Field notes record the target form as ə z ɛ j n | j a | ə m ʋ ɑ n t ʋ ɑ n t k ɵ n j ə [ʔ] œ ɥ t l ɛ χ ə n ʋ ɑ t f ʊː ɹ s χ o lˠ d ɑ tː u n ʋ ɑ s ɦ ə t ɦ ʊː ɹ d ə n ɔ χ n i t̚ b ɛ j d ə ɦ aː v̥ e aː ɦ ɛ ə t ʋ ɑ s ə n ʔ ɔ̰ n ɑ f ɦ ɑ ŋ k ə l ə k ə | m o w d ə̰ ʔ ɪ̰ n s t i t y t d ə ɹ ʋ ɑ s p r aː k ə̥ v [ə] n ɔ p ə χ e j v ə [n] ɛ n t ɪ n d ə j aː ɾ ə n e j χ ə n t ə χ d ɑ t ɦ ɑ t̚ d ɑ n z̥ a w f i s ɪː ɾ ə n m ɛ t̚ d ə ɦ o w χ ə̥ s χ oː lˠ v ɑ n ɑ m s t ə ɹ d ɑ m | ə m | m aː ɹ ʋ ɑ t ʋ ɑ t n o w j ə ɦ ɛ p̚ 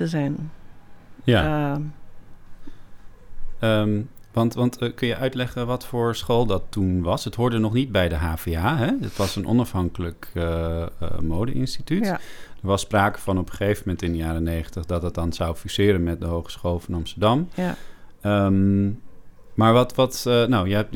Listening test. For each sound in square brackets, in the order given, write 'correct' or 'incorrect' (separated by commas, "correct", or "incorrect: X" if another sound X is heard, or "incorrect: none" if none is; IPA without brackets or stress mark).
correct, incorrect: ɑ, incorrect: m